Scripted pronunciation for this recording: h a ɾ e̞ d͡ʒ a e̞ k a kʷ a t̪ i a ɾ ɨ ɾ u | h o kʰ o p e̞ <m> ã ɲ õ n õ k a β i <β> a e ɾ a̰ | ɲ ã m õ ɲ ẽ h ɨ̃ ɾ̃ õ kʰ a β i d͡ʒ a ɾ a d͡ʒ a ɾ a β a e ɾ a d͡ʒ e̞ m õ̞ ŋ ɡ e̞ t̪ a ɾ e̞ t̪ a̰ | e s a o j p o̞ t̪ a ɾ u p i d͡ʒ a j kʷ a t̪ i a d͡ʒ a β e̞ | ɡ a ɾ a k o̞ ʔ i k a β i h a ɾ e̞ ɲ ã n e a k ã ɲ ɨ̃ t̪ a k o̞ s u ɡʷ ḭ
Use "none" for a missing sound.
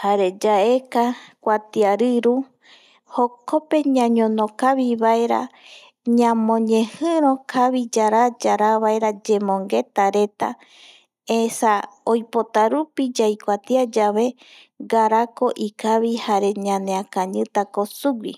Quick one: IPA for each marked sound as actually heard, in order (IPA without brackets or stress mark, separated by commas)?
ɲ, β